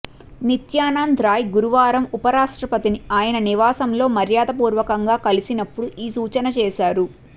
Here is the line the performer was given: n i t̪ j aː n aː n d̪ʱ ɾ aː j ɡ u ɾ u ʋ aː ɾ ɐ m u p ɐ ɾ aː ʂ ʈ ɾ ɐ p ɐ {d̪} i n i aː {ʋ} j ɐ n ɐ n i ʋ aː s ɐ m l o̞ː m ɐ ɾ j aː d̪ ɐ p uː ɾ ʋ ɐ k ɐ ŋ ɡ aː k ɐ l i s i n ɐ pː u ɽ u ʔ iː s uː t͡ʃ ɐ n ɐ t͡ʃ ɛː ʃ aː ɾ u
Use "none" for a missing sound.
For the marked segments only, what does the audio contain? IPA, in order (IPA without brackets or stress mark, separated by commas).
t̪, none